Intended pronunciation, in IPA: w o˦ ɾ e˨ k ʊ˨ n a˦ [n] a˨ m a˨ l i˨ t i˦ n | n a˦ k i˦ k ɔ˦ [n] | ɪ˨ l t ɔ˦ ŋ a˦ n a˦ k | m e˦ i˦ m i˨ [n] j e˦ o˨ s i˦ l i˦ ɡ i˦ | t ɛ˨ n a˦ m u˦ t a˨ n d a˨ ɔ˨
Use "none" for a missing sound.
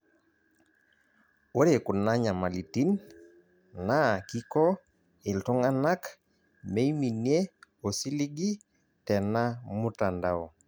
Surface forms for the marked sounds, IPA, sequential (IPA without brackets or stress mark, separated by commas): ɲ, none, n